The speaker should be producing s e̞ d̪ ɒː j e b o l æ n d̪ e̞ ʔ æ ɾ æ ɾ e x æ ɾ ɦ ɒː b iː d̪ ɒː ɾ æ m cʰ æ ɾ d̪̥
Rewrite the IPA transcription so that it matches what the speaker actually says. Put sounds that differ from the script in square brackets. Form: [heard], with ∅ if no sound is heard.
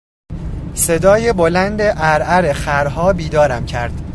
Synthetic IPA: s e̞ d̪ ɒː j e b o l æ n d̪ e̞ ʔ æ ɾ æ ɾ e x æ ɾ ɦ ɒː b iː d̪ ɒː ɾ æ m cʰ æ ɾ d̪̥